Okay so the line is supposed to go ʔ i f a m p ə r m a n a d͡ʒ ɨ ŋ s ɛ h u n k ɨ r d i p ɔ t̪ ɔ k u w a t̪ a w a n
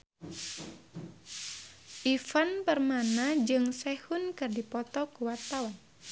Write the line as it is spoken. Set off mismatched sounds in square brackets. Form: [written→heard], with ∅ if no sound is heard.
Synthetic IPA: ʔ i f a [m→n] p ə r m a n a d͡ʒ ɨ ŋ s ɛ h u n k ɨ r d i p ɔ t̪ ɔ k u w a t̪ a w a n